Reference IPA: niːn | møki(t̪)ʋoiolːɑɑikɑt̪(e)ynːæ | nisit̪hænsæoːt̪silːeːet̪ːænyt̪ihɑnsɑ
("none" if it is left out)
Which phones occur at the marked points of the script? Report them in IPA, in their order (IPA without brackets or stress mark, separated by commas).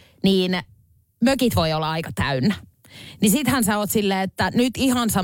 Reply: t̪, æ